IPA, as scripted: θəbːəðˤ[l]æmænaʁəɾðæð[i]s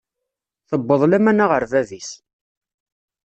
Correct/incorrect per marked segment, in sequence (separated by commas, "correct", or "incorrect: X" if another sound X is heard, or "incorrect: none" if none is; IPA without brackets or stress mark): correct, correct